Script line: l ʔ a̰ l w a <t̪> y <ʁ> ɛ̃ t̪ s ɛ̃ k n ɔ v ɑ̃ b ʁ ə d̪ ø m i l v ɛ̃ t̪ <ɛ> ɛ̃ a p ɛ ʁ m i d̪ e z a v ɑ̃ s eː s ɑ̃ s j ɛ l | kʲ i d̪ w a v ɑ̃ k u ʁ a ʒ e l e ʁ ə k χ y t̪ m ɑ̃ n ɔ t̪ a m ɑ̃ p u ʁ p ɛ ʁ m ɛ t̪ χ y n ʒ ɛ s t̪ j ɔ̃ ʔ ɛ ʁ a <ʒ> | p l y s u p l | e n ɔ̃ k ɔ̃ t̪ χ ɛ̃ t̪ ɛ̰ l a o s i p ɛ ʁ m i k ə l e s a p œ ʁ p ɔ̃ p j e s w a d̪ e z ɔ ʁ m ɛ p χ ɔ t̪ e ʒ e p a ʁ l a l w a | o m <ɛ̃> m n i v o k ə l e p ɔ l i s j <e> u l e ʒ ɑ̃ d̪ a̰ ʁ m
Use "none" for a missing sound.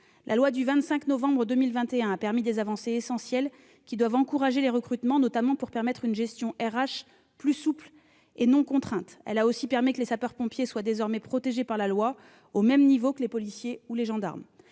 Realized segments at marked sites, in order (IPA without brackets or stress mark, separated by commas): d̪, v, e, ʃ, ɛ, e